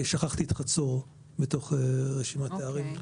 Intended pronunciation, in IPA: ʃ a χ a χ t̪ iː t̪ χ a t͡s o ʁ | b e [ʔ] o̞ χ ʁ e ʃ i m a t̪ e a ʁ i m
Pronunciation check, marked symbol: incorrect: t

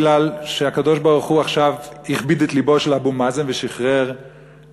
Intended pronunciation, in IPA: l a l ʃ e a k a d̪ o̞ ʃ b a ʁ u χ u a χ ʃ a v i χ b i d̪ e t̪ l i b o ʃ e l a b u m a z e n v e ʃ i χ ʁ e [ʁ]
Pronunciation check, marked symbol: correct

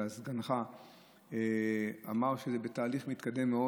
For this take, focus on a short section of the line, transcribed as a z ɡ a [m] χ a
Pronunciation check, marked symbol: incorrect: n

